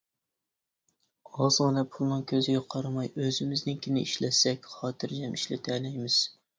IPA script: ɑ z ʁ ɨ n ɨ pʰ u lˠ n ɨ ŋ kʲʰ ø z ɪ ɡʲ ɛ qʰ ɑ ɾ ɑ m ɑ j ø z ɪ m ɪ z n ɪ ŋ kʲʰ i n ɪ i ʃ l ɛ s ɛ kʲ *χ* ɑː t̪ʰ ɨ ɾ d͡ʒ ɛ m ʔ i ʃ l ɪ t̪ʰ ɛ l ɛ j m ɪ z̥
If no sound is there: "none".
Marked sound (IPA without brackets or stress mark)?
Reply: χ